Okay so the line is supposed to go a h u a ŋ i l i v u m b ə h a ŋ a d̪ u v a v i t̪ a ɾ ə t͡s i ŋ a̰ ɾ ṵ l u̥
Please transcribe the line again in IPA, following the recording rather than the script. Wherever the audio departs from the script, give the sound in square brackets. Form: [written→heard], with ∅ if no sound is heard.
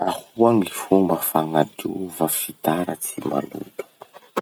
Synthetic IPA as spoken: a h u a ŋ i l i [v→f] u m b ə [h→f] a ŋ a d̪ u v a [v→f] i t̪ a ɾ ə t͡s i [ŋ→m] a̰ [ɾ→l] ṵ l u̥